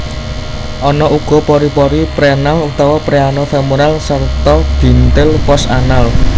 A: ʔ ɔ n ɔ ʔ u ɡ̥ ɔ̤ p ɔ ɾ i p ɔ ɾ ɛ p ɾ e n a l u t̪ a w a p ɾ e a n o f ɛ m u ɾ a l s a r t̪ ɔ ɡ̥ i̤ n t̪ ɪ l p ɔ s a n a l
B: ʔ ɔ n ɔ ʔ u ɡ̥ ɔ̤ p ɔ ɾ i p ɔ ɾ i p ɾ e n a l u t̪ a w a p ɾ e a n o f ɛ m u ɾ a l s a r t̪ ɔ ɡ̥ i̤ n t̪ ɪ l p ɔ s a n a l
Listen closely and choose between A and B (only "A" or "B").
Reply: B